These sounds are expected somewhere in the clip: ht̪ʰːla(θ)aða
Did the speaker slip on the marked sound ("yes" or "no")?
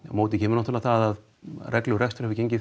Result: no